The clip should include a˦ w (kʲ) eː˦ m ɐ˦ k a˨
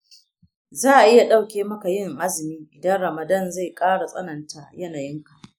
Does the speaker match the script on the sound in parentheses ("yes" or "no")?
yes